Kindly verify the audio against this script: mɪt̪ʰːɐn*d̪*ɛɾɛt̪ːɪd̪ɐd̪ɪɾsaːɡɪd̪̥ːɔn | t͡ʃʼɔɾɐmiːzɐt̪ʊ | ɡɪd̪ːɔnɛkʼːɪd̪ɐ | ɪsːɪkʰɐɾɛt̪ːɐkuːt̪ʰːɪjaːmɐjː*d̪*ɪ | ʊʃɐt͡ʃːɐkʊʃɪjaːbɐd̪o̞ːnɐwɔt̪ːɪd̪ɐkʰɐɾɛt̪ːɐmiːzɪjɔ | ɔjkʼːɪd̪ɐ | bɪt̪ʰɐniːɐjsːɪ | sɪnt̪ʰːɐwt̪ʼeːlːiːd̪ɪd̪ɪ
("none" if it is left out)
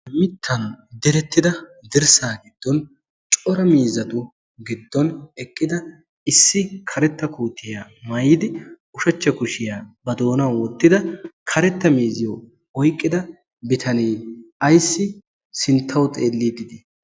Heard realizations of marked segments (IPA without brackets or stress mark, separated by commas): d̪, d̪